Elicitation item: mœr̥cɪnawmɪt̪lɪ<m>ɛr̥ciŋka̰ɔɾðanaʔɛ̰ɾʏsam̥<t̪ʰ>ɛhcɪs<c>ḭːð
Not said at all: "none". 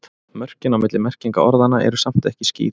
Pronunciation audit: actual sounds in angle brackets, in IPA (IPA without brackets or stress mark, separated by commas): m, t̪, c